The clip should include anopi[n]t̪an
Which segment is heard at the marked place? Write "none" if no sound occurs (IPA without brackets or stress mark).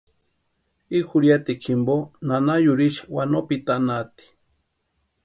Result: none